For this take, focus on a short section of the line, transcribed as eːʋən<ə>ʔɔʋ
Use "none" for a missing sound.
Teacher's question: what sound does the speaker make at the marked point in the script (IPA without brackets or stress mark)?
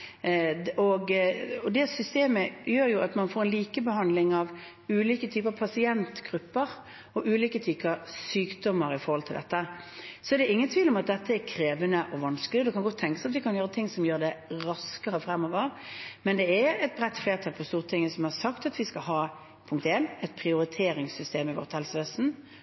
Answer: ə